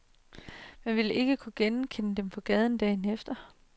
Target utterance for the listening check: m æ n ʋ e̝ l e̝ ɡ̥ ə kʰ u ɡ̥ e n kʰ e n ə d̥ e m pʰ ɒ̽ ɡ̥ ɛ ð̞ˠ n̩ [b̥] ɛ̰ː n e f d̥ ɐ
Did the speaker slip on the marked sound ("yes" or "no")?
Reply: yes